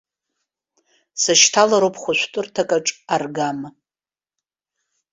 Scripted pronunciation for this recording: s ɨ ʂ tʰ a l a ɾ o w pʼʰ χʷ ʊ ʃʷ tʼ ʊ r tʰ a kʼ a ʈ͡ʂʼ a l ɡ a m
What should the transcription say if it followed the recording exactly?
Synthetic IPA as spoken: s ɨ ʃ tʰ a l a ɾ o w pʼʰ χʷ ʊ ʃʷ tʼ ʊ r tʰ a kʼ a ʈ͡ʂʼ a r ɡ a m